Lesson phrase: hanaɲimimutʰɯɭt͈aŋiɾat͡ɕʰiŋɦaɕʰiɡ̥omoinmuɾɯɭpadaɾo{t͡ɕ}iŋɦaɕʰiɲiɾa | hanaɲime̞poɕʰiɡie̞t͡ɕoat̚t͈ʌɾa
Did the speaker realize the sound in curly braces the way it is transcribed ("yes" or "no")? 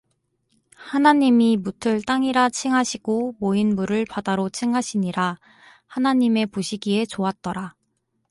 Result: no